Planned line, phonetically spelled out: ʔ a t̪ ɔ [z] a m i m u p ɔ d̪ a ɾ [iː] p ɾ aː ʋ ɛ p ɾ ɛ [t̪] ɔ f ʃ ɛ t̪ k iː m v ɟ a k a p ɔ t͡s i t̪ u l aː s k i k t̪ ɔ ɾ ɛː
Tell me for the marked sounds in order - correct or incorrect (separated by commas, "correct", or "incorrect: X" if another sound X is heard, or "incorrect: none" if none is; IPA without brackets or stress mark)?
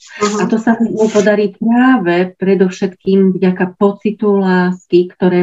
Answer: incorrect: s, correct, incorrect: d̪